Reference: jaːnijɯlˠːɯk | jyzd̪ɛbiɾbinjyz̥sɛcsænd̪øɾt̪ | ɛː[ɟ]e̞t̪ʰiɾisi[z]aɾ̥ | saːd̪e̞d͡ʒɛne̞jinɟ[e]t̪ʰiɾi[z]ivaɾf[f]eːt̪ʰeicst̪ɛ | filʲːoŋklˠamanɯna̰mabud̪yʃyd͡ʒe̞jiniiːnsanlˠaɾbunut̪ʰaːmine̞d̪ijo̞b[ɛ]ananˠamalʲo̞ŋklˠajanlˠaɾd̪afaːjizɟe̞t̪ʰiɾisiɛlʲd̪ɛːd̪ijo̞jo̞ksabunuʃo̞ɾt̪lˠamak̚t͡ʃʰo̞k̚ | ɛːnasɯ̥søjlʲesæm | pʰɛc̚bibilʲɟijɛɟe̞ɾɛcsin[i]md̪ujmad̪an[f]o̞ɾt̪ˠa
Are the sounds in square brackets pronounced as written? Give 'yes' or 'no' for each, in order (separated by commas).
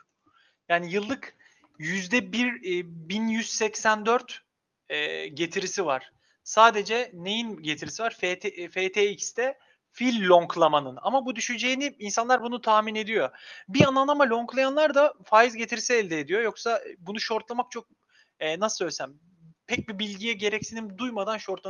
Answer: yes, no, yes, no, yes, no, yes, no